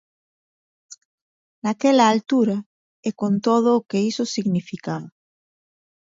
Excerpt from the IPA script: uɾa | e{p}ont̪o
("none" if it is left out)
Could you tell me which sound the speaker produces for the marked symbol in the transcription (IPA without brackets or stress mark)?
k